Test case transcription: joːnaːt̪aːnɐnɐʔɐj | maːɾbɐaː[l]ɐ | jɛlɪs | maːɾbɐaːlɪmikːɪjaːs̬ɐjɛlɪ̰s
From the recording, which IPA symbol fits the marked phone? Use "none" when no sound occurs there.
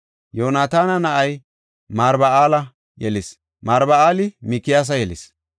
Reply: l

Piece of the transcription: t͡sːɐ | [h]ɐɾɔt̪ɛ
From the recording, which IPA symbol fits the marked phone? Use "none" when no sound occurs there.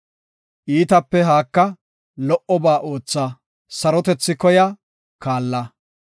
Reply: s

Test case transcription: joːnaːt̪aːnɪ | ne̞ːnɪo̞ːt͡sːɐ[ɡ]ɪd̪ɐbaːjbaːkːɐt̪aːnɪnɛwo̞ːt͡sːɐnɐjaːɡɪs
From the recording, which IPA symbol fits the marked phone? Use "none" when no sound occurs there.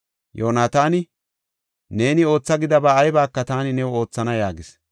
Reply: ɡ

